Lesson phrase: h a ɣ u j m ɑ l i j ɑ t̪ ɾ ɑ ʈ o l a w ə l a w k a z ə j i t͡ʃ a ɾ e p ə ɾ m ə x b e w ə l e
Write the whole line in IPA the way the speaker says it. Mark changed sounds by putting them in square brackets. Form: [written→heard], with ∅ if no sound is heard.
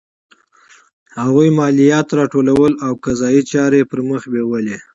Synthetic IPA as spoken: h a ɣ u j m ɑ l i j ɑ t̪ ɾ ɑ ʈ o l a w ə l a w k a z [ə→ɑ] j i t͡ʃ [a→ɑ] ɾ e p ə ɾ m ə x b e w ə l e